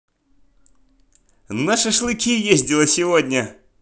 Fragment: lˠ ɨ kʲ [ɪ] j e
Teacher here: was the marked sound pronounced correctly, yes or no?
no